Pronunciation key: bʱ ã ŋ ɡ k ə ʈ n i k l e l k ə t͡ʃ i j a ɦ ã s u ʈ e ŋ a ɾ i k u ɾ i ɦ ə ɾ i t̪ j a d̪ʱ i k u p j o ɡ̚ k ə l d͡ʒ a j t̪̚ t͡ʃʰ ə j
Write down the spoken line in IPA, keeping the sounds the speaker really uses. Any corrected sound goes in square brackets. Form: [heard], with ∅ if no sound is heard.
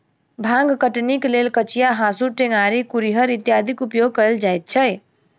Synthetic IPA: bʱ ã ŋ ɡ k ə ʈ n i k l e l k ə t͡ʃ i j a ɦ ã s u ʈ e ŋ a ɾ i k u ɾ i ɦ ə ɾ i t̪ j a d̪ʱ i k u p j o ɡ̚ k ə l d͡ʒ a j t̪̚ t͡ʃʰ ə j